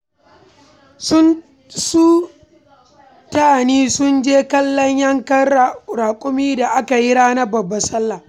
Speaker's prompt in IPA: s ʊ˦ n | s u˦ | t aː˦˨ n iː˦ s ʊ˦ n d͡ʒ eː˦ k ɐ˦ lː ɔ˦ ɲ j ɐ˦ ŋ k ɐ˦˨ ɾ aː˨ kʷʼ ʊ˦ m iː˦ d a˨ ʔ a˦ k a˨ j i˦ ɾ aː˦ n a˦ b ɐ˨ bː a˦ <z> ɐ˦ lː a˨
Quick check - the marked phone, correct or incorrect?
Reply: incorrect